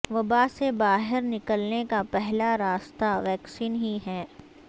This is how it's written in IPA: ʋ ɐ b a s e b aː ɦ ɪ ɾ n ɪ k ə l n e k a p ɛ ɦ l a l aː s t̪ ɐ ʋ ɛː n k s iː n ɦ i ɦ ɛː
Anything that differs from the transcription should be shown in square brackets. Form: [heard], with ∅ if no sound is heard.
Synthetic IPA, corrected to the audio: ʋ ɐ b a s e b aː ɦ ɪ ɾ n ɪ k ə l n e k a p ɛ ɦ l a [ɾ] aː s t̪ [a] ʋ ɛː [∅] k s iː n ɦ i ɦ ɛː